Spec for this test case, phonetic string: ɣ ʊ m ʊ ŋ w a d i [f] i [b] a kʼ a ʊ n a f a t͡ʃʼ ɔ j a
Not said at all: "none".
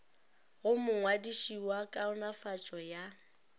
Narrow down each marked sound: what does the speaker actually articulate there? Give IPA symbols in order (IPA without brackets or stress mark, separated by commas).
ʃ, w